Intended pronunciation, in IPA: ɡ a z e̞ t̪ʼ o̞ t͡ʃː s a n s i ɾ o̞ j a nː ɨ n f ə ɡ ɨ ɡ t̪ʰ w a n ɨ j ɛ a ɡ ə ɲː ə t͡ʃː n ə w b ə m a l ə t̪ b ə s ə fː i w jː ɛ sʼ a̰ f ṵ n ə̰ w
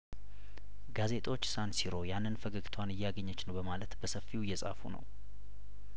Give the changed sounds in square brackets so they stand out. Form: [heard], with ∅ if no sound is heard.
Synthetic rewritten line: ɡ a z e̞ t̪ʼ o̞ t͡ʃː s a n s i ɾ o̞ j a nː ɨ n f ə ɡ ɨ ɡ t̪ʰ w a n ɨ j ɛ a ɡ ə ɲː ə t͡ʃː n ə w b ə m a l ə t̪ b ə s ə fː i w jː ɛ sʼ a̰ f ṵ n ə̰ w